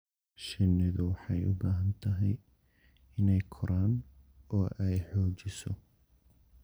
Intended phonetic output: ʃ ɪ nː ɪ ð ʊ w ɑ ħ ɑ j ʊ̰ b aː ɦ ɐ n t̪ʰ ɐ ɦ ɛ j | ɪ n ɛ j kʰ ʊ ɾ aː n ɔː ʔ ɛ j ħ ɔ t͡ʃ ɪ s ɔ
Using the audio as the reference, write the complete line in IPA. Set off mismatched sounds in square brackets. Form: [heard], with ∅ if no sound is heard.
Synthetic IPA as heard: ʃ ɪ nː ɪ ð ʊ w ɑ ħ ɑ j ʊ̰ b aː ɦ ɐ n t̪ʰ ɐ ɦ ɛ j | ɪ n ɛ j kʰ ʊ ɾ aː n ɔː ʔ ɛ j ħ [ɔː] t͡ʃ ɪ s ɔ